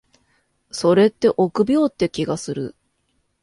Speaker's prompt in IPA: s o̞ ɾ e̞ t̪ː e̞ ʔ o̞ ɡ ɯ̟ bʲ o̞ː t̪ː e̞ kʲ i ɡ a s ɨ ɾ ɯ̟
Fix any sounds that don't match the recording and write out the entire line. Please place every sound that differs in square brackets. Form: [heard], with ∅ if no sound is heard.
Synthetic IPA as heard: s o̞ ɾ e̞ t̪ː e̞ ʔ o̞ [k] ɯ̟ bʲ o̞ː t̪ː e̞ kʲ i ɡ a s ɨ ɾ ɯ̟